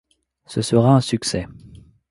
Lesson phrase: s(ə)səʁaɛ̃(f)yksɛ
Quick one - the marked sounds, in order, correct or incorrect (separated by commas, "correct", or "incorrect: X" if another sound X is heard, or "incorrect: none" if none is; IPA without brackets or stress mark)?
correct, incorrect: s